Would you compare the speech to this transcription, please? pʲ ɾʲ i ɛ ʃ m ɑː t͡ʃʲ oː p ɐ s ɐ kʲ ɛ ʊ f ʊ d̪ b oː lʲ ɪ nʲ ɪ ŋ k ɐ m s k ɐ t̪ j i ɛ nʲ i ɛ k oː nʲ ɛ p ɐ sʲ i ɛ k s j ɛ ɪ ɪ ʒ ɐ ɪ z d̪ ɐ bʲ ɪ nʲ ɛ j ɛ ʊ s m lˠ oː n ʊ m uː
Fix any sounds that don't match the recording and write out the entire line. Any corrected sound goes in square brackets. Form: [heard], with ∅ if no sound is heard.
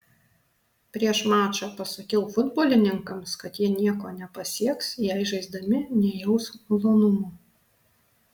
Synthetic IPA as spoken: pʲ ɾʲ i ɛ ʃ m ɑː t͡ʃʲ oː p ɐ s ɐ kʲ ɛ ʊ f ʊ d̪ b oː lʲ ɪ nʲ ɪ ŋ k ɐ m s k ɐ t̪ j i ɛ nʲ i ɛ k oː nʲ ɛ p ɐ sʲ i ɛ k s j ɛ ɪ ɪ ʒ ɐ ɪ z d̪ ɐ [mʲ] ɪ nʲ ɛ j ɛ ʊ s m lˠ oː n ʊ m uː